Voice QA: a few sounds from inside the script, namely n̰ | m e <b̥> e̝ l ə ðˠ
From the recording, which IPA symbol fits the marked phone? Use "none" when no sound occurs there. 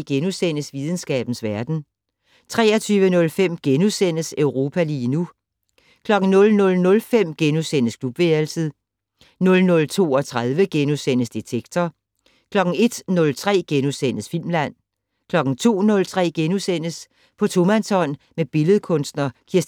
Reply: b̥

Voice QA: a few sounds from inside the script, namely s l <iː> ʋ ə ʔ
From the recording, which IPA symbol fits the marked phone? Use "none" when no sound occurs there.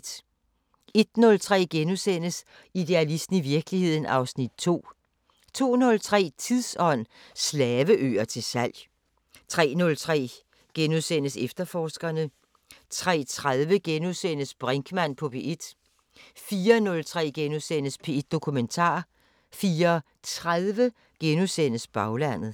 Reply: ɛː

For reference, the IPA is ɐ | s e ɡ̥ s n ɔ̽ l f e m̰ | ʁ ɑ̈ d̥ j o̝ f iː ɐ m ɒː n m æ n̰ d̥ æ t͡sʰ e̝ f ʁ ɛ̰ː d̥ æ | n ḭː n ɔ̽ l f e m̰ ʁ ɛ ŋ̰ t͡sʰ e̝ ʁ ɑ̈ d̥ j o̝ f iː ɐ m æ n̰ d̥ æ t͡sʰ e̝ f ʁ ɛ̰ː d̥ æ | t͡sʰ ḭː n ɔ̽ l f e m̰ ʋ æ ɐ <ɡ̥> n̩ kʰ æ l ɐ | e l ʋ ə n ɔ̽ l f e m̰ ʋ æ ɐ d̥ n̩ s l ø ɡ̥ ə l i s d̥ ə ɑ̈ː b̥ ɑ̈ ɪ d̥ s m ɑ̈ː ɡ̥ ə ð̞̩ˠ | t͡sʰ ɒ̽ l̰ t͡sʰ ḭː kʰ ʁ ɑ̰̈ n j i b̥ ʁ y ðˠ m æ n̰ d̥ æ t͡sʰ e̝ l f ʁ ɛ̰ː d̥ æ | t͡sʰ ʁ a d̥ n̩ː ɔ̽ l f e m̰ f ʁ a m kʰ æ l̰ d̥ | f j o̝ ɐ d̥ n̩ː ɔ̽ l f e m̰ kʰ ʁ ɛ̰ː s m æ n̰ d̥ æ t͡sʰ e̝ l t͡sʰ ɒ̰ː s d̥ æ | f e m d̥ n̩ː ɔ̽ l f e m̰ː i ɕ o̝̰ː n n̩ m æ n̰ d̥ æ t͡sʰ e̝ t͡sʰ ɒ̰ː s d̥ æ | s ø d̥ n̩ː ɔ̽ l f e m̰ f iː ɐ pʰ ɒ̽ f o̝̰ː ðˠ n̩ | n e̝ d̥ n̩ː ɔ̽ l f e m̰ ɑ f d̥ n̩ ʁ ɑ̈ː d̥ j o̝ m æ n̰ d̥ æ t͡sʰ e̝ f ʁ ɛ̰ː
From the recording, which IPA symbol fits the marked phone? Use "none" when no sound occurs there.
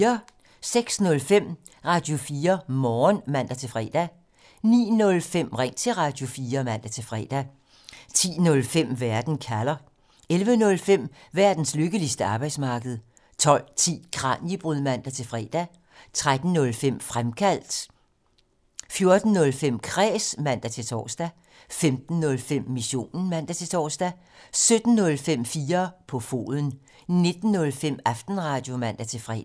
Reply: d̥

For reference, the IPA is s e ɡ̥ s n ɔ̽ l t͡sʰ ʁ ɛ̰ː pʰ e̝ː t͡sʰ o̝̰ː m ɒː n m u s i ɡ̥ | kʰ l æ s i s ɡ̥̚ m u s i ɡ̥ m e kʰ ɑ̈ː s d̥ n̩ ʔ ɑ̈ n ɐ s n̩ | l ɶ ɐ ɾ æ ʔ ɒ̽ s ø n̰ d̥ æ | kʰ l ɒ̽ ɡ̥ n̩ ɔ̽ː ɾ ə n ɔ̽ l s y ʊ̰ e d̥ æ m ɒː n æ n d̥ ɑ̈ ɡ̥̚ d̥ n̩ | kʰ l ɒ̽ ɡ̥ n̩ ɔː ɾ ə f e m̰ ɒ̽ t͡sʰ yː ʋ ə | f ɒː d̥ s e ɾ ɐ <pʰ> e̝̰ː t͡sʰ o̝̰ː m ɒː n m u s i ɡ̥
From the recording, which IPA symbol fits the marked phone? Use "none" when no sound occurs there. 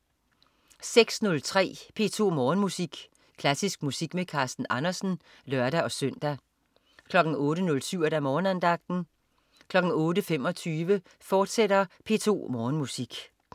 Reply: pʰ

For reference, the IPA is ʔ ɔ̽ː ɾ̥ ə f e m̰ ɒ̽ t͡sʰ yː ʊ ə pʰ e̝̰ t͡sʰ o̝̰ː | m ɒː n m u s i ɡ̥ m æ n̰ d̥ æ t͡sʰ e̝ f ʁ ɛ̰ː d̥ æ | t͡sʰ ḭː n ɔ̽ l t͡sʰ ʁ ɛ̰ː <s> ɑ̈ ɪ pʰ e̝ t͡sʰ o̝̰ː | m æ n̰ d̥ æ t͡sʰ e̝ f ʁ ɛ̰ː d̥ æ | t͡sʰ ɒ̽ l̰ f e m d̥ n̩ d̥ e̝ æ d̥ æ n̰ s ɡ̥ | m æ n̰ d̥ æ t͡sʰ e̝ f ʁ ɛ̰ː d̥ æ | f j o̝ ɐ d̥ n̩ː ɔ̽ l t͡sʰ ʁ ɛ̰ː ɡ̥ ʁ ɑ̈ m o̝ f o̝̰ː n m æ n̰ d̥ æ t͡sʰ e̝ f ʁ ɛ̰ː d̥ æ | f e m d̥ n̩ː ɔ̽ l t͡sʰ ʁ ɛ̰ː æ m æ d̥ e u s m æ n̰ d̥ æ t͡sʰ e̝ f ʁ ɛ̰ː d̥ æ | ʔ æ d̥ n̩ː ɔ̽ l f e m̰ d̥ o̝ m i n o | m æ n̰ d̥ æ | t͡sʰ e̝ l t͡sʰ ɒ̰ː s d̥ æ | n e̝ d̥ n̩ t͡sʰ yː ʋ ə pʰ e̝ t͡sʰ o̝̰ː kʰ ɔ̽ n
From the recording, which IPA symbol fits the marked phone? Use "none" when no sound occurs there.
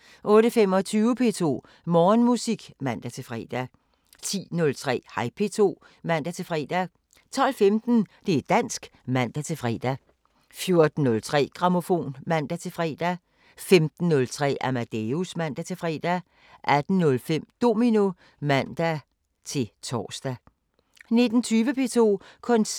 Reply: h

